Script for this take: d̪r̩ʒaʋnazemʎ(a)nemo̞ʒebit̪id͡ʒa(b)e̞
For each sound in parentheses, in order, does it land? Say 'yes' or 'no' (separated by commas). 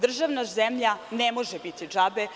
yes, yes